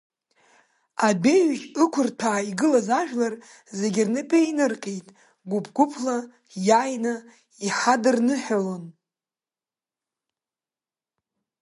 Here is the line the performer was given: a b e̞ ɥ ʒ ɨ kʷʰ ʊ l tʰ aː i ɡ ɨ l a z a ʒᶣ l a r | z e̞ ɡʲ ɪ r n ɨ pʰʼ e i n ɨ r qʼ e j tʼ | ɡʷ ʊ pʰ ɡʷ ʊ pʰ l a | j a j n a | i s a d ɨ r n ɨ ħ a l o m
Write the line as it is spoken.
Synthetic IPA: a b e̞ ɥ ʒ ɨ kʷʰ ʊ r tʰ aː i ɡ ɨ l a z a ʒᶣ l a r | z e̞ ɡʲ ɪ r n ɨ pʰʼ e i n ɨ r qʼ e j tʼ | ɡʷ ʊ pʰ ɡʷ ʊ pʰ l a | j a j n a | i ħ a d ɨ r n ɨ ħ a l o n